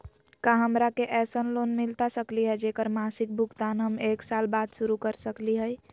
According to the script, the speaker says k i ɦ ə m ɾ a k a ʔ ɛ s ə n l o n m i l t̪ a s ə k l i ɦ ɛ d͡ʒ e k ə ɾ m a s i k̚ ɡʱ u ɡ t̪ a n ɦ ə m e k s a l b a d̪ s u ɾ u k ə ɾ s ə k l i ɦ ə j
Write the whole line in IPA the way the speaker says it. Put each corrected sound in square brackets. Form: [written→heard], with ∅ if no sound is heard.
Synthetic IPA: k [i→a] ɦ ə m ɾ a k [a→e] ʔ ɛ s ə n l o n m i l t̪ a s ə k l i ɦ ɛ d͡ʒ e k ə ɾ m a s i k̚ [ɡʱ→bʱ] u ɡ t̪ a n ɦ ə m e k s a l b a d̪ s u ɾ u k ə ɾ s ə k l i ɦ ə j